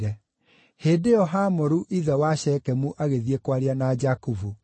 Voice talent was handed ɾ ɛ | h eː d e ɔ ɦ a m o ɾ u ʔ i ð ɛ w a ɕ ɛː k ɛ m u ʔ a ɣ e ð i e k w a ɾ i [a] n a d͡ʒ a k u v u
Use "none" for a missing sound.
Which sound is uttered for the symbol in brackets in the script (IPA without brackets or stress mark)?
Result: a